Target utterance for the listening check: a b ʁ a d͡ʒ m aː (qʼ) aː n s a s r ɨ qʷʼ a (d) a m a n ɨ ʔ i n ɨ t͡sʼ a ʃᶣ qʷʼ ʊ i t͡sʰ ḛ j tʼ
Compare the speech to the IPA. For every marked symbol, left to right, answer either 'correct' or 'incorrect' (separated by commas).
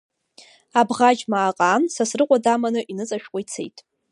correct, correct